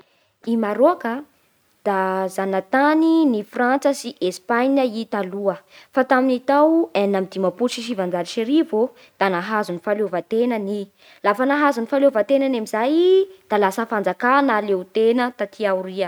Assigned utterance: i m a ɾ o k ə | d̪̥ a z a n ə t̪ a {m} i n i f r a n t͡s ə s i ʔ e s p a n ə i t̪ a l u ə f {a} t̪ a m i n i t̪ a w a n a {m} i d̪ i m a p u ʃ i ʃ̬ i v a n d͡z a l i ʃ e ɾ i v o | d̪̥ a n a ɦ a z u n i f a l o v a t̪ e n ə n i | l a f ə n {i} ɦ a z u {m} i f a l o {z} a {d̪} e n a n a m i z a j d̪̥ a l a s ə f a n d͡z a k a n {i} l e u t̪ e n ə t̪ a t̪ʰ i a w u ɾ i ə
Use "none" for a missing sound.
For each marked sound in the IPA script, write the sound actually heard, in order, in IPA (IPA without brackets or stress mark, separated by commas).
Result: n, a, m, a, n, v, t̪, a